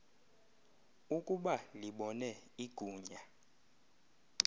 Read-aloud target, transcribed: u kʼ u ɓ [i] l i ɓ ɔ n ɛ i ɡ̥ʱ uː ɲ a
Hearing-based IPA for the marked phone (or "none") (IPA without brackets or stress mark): a